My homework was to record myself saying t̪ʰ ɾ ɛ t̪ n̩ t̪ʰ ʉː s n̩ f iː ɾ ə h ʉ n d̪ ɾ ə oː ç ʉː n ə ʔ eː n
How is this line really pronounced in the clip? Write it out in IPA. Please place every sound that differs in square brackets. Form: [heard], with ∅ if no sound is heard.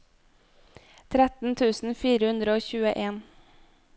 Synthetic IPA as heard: t̪ʰ ɾ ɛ t̪ n̩ t̪ʰ ʉː s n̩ f iː ɾ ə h ʉ n d̪ ɾ ə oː ç ʉː [∅] ə ʔ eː n